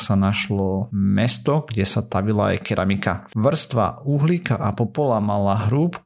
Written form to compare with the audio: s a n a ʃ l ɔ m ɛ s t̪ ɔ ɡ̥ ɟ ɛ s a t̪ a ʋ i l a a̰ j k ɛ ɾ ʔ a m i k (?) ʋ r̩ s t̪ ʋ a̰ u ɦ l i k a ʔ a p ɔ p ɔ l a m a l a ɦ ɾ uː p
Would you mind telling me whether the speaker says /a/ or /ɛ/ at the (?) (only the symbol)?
a